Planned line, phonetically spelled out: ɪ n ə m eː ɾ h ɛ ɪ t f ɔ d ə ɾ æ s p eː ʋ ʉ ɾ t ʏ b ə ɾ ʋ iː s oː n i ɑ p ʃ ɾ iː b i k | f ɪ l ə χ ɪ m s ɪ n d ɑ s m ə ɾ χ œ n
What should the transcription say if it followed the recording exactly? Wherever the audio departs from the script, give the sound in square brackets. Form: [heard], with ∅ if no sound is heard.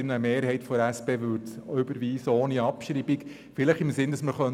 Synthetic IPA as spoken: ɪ n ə m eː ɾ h ɛ ɪ t f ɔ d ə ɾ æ s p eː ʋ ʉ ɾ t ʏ b ə ɾ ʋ iː s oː n i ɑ p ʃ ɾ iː b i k | f ɪ l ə χ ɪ m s ɪ n d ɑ s m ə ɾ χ œ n